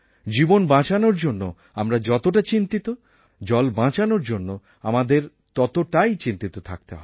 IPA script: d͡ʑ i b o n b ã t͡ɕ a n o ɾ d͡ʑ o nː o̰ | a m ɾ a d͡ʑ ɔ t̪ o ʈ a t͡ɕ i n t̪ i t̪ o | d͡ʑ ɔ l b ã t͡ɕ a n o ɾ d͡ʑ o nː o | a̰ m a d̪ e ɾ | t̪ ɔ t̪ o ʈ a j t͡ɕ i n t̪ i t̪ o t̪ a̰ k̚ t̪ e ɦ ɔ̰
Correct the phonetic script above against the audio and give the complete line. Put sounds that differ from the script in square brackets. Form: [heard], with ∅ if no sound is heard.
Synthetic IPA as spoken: d͡ʑ i b o n b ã t͡ɕ a n o ɾ d͡ʑ o nː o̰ | a m ɾ a d͡ʑ ɔ t̪ o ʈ a t͡ɕ i n t̪ i t̪ o | d͡ʑ ɔ l b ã t͡ɕ a n o ɾ d͡ʑ o nː o | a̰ m a d̪ e ɾ | t̪ ɔ t̪ o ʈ a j t͡ɕ i n t̪ i t̪ o [t̪ʰ] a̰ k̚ t̪ e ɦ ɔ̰